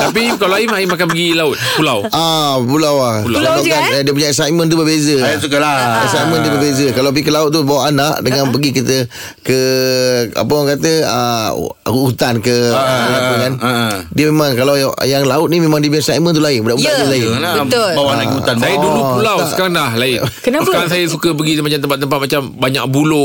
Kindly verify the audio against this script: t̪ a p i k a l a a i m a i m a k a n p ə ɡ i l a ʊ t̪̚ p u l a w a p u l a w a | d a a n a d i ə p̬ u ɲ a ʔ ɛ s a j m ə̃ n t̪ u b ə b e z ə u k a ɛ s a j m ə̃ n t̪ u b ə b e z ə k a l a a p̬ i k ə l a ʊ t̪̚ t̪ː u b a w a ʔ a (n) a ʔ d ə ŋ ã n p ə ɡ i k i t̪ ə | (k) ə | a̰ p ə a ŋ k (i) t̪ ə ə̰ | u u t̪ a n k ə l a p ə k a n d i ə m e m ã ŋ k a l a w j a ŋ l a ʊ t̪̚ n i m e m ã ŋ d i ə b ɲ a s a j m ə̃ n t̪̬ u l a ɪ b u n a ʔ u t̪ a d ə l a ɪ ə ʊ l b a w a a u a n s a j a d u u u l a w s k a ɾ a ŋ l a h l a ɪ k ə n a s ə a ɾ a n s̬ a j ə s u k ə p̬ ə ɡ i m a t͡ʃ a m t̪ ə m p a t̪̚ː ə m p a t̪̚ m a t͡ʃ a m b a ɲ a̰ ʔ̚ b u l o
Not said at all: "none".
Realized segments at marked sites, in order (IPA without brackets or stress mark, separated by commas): n, k, a